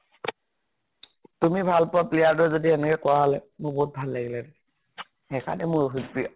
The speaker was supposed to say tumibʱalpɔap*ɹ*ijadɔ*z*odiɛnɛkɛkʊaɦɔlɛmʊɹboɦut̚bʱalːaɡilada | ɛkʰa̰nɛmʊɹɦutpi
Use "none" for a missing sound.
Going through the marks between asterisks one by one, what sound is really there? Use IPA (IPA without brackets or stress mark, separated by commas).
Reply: l, z